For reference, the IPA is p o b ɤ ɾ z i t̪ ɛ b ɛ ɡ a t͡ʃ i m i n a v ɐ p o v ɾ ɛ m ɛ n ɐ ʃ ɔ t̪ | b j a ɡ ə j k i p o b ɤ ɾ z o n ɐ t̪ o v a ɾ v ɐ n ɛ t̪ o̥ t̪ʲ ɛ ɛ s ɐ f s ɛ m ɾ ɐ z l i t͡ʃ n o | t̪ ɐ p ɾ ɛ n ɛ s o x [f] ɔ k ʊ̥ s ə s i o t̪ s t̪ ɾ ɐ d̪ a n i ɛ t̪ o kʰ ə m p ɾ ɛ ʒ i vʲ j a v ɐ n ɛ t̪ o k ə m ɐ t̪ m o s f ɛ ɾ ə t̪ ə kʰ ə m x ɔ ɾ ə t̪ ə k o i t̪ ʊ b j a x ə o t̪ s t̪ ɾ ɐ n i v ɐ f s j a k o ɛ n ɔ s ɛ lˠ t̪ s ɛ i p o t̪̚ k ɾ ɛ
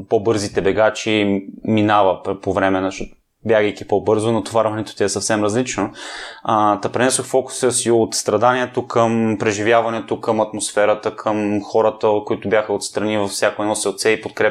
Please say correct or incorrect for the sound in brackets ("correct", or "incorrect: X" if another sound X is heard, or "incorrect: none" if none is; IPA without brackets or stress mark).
correct